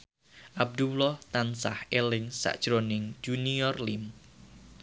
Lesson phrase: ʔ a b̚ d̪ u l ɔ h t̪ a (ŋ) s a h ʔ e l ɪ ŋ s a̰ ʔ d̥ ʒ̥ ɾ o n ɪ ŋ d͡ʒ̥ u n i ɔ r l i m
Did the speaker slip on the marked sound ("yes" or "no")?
yes